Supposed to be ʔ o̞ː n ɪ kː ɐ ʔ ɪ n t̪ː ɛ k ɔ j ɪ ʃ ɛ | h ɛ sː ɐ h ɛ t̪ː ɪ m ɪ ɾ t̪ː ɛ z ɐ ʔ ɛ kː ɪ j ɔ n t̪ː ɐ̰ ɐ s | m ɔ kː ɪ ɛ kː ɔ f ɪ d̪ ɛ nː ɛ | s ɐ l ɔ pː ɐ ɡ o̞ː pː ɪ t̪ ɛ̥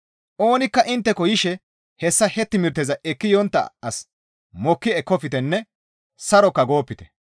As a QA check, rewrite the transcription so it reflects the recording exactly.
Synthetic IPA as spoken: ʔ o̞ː n ɪ kː ɐ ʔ ɪ n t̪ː ɛ k ɔ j ɪ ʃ ɛ | h ɛ sː ɐ h ɛ t̪ː ɪ m ɪ ɾ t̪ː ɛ z ɐ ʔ ɛ kː ɪ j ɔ n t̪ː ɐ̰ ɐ s | m ɔ kː ɪ ɛ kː ɔ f ɪ t̪ ɛ nː ɛ | s ɐ ɾ ɔ kː ɐ ɡ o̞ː pː ɪ t̪ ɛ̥